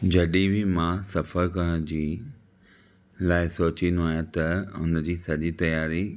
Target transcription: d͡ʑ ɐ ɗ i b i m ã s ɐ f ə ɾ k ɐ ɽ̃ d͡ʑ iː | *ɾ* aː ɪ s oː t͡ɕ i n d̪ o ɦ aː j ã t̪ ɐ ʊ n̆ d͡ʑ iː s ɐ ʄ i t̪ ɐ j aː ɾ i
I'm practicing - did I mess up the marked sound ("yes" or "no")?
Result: yes